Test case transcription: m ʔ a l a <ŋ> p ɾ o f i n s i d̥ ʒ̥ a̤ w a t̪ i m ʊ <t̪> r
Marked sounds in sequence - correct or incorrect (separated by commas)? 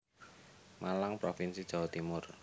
correct, incorrect